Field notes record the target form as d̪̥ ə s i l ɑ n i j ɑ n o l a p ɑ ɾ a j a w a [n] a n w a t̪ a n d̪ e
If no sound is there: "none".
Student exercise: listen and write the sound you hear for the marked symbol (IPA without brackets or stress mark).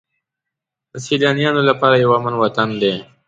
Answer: m